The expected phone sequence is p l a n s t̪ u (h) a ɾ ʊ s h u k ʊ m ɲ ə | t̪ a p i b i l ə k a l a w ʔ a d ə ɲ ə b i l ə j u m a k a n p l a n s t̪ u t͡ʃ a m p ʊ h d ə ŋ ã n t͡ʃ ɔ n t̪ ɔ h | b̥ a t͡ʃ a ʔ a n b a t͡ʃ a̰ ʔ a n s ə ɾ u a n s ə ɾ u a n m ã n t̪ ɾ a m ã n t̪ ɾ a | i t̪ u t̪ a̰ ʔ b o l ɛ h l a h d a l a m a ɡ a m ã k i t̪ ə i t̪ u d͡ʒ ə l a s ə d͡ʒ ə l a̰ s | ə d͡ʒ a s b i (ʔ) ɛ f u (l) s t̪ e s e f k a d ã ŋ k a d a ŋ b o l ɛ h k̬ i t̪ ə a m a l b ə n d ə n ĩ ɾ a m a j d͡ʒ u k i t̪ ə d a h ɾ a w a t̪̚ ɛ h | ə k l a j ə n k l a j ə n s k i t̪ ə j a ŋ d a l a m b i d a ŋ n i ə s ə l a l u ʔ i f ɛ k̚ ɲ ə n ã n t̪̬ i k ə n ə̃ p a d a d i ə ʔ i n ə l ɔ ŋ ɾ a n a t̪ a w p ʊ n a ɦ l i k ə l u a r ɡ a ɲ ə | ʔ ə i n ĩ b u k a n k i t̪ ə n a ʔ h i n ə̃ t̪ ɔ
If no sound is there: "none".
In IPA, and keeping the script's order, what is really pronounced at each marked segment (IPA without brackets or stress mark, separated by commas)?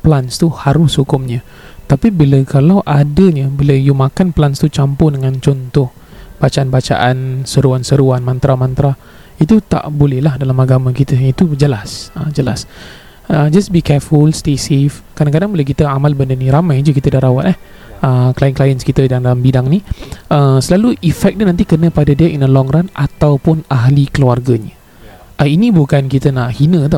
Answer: h, k, l